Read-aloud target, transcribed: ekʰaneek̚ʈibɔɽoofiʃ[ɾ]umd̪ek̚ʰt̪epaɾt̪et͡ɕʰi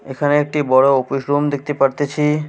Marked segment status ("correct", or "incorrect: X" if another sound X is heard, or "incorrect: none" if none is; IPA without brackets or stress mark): correct